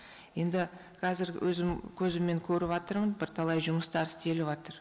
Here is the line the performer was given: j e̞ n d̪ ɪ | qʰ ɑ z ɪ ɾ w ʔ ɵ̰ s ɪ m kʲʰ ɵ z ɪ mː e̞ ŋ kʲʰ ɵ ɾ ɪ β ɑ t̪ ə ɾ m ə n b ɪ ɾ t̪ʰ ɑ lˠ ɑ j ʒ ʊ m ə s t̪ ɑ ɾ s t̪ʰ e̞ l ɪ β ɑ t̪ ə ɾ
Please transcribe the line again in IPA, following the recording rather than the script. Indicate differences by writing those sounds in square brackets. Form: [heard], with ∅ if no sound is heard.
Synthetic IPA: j e̞ n d̪ ɪ | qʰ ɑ z ɪ ɾ w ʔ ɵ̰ [z] ɪ m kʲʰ ɵ z ɪ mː e̞ ŋ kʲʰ ɵ ɾ ɪ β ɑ t̪ ə ɾ m ə n b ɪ ɾ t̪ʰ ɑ lˠ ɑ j ʒ ʊ m ə s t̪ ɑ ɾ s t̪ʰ e̞ l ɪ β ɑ t̪ ə ɾ